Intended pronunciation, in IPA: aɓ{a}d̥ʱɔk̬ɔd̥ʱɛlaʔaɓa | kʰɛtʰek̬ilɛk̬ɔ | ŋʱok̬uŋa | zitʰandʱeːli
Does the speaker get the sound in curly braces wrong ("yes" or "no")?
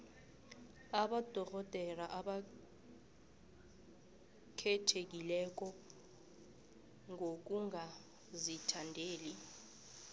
no